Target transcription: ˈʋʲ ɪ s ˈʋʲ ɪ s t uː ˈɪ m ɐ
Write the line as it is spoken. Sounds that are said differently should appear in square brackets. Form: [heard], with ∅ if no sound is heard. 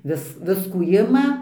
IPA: ˈʋʲ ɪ s ˈʋʲ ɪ s [k] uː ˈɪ m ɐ